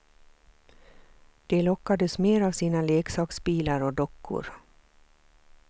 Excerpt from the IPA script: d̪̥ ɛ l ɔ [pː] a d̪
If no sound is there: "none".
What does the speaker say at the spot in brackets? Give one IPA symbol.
kː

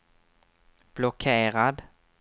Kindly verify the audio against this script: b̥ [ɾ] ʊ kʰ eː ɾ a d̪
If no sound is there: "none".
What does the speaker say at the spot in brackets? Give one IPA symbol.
l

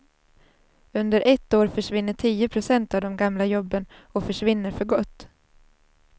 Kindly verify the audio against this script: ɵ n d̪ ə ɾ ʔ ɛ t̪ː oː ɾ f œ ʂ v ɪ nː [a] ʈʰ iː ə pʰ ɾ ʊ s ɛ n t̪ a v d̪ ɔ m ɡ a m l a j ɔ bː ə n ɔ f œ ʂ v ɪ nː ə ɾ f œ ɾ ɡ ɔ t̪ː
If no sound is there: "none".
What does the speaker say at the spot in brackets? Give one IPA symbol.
ə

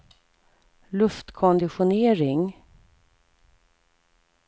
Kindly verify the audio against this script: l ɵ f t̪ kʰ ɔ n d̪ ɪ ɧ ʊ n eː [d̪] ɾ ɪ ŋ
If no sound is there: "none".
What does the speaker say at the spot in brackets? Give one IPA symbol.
none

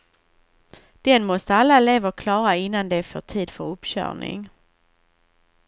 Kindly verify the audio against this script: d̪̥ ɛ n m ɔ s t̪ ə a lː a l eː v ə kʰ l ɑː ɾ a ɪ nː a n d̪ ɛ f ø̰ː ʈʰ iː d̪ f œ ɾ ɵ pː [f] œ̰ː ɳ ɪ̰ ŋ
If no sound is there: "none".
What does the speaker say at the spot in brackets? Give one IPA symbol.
ɕ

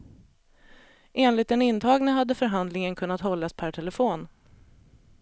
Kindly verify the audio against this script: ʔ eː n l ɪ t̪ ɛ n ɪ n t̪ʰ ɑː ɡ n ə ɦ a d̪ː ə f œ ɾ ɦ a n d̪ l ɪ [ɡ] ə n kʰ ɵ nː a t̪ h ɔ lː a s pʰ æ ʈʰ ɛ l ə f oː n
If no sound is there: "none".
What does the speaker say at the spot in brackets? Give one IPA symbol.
ŋ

